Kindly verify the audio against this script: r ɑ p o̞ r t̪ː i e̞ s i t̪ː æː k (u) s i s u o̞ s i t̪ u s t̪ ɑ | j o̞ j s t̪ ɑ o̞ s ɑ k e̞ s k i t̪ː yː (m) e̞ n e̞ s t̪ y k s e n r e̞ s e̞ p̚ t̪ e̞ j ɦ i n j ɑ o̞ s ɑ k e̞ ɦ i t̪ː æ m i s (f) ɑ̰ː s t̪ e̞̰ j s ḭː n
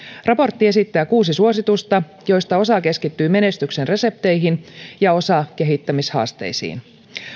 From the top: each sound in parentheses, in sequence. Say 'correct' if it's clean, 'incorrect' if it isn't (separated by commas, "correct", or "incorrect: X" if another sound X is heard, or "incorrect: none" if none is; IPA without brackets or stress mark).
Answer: incorrect: uː, correct, incorrect: h